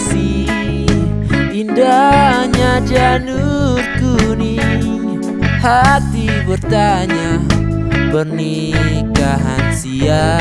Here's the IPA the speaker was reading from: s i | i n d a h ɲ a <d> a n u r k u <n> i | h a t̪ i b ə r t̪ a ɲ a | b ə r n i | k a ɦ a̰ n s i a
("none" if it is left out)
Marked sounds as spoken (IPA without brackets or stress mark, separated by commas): d͡ʒ, n